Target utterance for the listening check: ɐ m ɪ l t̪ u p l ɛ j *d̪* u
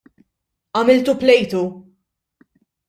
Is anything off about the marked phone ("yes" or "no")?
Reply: yes